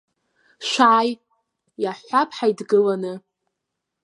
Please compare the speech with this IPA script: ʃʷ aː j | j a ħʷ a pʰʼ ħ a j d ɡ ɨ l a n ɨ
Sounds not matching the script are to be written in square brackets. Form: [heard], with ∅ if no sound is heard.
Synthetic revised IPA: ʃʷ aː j | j a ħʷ a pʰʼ ħ a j d ɡ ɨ l a n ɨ